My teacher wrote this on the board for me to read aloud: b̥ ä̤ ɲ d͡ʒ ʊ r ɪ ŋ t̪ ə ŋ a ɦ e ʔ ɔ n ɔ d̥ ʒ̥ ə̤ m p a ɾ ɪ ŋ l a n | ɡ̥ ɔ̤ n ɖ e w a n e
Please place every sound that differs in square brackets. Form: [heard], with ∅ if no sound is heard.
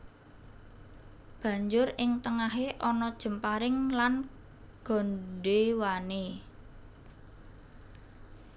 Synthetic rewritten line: b̥ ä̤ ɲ d͡ʒ ʊ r ɪ ŋ t̪ ə ŋ a ɦ e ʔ ɔ n ɔ d̥ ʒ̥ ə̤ m p a ɾ ɪ ŋ l a n | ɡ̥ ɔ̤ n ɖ e w a n e